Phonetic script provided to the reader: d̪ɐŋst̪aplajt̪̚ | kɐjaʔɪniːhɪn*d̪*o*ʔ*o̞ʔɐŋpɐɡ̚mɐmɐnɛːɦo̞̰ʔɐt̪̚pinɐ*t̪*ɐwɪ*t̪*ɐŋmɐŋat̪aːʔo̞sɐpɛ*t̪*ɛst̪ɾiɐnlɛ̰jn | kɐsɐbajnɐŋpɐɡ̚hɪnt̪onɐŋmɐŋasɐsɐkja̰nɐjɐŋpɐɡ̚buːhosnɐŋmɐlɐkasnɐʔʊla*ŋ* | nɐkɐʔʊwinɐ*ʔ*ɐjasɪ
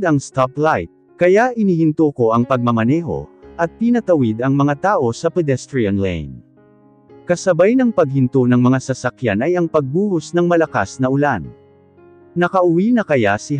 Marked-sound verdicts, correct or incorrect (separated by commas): incorrect, incorrect, correct, incorrect, incorrect, incorrect, incorrect